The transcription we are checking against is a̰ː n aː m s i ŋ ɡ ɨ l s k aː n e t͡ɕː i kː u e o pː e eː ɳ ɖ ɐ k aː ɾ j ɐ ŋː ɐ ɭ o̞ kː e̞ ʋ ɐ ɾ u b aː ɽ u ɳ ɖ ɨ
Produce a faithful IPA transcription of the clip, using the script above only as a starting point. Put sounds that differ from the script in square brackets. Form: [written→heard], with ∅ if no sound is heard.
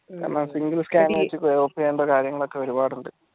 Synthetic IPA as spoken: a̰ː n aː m s i ŋ ɡ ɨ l s k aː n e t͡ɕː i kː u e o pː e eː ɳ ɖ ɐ k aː ɾ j ɐ ŋː ɐ ɭ o̞ kː e̞ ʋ ɐ ɾ u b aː ɽ u ɳ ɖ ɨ